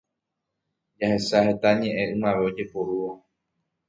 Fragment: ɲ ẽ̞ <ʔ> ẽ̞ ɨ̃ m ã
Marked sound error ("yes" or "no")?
no